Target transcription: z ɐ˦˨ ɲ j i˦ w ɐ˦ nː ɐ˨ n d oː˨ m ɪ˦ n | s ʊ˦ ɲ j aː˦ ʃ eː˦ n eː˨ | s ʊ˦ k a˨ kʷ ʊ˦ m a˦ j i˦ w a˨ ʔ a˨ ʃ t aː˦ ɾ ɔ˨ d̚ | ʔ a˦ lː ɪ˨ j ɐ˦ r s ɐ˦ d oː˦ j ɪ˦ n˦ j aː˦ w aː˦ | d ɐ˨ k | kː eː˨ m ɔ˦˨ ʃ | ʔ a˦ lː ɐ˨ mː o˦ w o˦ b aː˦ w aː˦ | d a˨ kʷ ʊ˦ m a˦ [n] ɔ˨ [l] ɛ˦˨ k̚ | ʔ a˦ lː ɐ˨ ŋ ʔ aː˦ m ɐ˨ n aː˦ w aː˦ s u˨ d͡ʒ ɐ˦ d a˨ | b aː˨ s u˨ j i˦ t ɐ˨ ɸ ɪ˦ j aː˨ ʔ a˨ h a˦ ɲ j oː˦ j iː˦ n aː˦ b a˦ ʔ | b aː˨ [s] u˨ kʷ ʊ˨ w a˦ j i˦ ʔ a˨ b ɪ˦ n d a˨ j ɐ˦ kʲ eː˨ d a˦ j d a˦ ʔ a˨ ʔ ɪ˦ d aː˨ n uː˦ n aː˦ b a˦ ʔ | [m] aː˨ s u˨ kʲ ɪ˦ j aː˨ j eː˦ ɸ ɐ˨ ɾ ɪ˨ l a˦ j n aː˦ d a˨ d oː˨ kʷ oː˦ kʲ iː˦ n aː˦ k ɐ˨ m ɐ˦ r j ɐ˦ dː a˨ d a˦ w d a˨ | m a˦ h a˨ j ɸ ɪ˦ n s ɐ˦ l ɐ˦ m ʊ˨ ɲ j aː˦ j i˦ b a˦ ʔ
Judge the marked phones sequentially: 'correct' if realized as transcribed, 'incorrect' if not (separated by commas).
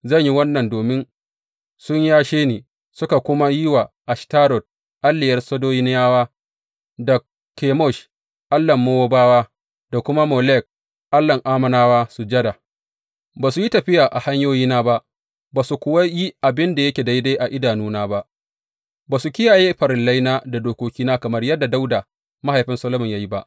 incorrect, correct, correct, incorrect